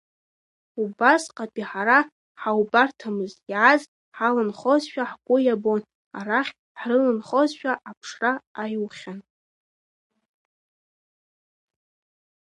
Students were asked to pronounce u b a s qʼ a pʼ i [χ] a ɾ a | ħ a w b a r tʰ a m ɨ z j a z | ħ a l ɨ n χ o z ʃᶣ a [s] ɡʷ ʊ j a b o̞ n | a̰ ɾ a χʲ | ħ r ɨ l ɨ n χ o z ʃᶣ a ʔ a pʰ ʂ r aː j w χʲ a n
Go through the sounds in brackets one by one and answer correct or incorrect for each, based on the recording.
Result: incorrect, incorrect

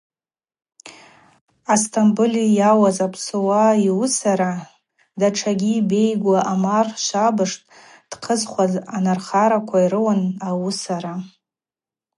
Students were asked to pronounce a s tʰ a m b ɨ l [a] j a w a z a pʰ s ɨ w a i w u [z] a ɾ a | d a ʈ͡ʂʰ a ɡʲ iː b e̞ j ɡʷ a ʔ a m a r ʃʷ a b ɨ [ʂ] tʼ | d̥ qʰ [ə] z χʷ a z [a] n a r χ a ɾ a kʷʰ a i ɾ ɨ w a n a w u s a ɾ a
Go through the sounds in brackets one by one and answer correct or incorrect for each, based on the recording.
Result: incorrect, incorrect, correct, correct, correct

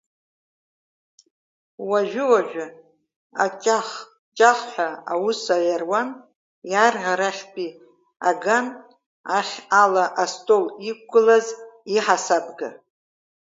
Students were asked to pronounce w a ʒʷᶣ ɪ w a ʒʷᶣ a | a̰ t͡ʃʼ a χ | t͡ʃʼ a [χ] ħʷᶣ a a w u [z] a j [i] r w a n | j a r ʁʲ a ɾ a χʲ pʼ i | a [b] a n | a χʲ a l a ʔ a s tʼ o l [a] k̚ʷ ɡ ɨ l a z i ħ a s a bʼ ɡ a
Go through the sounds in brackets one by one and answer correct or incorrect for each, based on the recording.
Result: correct, incorrect, incorrect, incorrect, incorrect

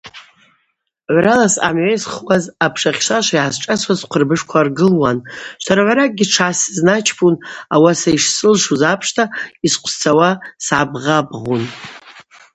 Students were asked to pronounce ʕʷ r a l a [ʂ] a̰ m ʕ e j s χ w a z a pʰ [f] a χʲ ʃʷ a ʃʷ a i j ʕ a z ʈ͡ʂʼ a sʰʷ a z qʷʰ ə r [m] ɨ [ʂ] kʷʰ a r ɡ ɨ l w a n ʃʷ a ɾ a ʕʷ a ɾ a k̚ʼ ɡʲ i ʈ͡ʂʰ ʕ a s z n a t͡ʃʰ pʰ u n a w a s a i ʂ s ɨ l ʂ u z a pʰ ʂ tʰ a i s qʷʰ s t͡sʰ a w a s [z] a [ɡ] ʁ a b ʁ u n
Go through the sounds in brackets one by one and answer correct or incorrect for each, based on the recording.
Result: incorrect, incorrect, incorrect, correct, incorrect, incorrect

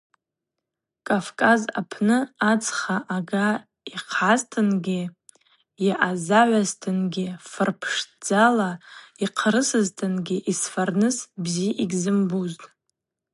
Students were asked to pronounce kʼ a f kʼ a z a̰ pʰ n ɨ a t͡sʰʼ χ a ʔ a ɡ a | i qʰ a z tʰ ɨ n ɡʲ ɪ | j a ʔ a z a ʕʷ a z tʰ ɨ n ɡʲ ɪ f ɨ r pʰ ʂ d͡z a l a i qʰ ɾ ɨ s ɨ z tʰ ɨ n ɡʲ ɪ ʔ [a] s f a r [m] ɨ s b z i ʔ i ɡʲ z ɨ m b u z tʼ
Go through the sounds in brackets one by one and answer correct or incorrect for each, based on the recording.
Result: incorrect, incorrect

